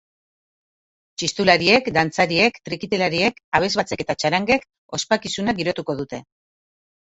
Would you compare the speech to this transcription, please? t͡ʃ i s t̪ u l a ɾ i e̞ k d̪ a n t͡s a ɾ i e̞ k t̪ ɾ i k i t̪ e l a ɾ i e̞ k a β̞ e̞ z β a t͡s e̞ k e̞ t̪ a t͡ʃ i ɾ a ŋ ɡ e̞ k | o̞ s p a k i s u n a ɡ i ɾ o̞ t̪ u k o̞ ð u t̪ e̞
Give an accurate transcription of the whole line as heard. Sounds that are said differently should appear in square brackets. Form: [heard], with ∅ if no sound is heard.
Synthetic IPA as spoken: t͡ʃ i s t̪ u l a ɾ i e̞ k d̪ a n t͡s a ɾ i e̞ k t̪ ɾ i k i t̪ e l a ɾ i e̞ k a β̞ e̞ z β a t͡s e̞ k e̞ t̪ a t͡ʃ [a] ɾ a ŋ ɡ e̞ k | o̞ s p a k i s u n a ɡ i ɾ o̞ t̪ u k o̞ ð u t̪ e̞